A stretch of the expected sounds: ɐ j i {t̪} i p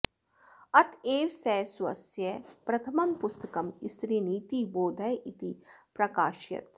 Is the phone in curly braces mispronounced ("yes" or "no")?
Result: no